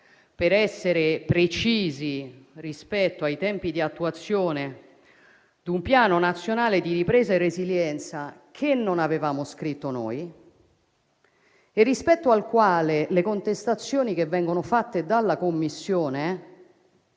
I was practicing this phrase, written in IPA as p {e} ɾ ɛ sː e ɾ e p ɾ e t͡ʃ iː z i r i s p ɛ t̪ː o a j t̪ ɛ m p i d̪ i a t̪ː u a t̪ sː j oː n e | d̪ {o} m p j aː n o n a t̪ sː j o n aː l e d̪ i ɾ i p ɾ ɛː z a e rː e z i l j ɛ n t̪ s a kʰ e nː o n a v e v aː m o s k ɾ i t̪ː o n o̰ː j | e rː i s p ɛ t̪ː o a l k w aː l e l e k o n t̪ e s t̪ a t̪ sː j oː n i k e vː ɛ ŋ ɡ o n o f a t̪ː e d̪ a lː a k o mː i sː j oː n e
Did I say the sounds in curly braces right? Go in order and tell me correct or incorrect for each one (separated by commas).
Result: correct, incorrect